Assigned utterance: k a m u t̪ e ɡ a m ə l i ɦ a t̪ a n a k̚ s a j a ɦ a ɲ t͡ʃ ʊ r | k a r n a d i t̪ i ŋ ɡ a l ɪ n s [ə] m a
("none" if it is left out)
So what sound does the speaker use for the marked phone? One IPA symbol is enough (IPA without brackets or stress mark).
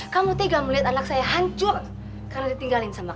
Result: a